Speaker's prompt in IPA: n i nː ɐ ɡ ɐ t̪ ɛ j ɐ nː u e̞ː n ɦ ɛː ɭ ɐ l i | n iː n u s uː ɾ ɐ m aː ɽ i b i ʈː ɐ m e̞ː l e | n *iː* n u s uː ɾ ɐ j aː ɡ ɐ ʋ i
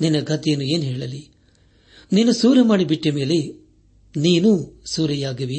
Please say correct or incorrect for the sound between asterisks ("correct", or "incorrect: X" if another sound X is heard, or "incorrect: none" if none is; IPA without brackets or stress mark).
correct